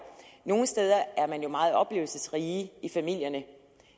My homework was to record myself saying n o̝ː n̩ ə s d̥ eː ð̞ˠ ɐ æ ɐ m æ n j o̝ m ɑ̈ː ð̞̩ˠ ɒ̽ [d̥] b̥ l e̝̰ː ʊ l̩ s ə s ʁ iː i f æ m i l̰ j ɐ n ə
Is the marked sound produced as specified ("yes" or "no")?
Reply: no